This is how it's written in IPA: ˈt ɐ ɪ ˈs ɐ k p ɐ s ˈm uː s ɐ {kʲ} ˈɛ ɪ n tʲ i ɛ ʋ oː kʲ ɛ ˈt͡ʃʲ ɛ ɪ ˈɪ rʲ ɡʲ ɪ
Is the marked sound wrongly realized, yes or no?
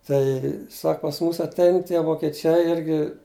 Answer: yes